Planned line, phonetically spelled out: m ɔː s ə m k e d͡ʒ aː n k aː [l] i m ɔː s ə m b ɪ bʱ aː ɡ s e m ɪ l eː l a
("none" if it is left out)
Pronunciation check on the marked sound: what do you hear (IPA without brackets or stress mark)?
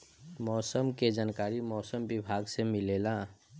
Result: ɾ